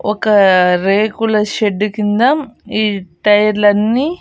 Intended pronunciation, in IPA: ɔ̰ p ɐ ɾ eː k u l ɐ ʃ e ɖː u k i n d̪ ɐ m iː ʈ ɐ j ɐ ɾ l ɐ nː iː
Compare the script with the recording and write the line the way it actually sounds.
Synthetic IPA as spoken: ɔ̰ k ɐ ɾ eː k u l ɐ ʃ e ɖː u k i n d̪ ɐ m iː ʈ ɐ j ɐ ɾ l ɐ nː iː